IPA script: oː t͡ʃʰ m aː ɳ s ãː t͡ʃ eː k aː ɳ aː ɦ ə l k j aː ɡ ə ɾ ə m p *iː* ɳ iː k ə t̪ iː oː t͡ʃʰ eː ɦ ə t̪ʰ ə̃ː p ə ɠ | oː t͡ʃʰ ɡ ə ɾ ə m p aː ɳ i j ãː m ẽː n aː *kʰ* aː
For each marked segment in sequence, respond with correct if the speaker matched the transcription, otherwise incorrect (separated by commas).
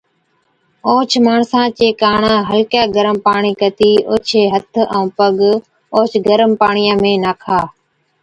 incorrect, correct